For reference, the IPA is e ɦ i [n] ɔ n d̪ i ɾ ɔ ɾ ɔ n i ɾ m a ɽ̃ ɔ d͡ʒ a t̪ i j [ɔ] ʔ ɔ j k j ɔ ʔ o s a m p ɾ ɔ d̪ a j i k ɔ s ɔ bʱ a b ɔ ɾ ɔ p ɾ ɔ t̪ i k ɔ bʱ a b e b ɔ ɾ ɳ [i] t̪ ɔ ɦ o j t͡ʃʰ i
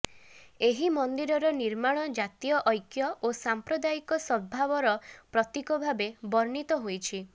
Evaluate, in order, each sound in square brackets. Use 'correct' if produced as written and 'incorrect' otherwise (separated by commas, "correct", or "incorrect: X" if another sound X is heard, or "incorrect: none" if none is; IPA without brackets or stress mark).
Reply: incorrect: m, correct, correct